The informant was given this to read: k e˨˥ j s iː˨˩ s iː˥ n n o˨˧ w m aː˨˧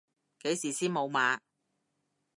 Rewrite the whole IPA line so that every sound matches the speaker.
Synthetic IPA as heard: k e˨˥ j s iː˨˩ s iː˥ n m o˨˧ w m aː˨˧